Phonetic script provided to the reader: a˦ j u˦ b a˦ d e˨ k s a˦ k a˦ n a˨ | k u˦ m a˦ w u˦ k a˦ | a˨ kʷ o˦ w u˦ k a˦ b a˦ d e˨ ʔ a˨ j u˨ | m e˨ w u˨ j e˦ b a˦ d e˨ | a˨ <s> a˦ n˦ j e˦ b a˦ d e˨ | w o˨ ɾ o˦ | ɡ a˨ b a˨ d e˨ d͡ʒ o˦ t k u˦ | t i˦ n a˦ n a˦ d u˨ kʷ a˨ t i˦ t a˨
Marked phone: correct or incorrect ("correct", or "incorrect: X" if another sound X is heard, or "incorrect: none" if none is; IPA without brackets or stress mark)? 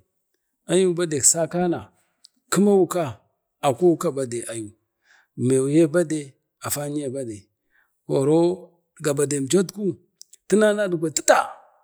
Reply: incorrect: f